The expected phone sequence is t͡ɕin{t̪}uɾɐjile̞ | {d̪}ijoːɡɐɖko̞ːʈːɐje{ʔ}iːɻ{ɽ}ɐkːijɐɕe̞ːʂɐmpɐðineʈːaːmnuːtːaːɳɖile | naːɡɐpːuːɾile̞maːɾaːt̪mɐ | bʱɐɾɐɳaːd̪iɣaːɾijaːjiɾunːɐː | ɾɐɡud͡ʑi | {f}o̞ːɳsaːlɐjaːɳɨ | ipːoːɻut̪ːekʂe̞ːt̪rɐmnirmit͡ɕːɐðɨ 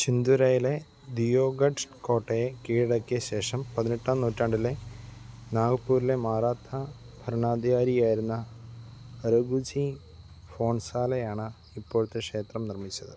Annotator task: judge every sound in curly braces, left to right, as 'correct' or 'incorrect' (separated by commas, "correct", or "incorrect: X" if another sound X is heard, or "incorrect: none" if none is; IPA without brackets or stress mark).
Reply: incorrect: d̪, correct, incorrect: k, correct, correct